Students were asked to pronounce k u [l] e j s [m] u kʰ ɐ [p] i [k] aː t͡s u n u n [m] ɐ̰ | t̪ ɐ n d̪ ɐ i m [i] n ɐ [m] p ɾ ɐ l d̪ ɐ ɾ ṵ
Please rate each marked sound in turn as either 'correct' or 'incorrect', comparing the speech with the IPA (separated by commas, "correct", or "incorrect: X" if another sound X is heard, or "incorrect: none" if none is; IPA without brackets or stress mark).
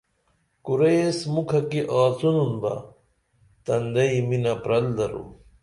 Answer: incorrect: ɾ, correct, incorrect: k, incorrect: ʔ, incorrect: b, correct, incorrect: none